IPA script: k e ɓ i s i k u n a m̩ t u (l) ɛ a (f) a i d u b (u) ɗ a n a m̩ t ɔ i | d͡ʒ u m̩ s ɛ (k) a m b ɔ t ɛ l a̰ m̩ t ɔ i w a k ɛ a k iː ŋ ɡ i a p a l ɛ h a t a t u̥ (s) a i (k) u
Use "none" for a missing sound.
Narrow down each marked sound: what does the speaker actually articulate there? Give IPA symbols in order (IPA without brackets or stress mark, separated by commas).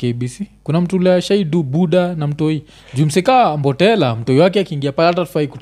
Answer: l, ʃ, u, k, f, k